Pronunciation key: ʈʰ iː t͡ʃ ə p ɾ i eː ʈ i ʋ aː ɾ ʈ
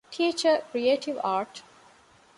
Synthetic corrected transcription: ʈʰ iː t͡ʃ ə k ɾ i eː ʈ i ʋ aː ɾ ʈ